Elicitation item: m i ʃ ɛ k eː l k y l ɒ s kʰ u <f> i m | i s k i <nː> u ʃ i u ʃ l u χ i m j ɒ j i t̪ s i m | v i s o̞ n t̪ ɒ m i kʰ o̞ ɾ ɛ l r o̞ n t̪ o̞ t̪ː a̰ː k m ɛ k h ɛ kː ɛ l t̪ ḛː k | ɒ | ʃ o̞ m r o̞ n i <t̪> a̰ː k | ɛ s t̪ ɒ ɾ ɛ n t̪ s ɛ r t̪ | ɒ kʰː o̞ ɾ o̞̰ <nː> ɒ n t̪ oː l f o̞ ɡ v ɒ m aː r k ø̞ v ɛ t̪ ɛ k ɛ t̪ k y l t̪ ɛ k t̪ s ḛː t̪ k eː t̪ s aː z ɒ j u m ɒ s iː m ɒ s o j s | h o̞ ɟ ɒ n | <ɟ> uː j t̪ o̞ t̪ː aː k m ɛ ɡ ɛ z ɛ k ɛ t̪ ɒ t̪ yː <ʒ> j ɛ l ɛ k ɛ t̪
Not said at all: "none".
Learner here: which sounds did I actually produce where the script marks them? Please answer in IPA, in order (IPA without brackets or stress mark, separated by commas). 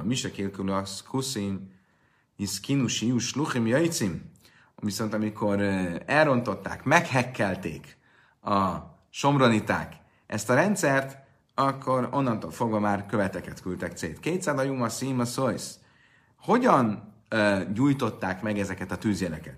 s, n, t̪, nː, ɟ, z